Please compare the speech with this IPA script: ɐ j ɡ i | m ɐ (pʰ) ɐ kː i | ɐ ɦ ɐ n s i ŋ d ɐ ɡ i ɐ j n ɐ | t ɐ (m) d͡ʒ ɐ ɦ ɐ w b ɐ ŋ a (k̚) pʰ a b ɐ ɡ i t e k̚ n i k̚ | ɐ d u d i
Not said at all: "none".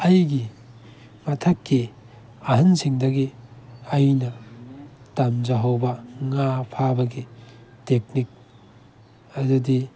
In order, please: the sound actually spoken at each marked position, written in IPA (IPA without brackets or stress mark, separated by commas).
tʰ, m, none